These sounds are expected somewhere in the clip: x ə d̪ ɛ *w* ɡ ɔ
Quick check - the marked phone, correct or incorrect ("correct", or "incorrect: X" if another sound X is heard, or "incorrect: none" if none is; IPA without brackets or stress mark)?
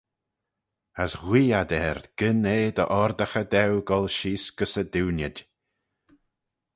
correct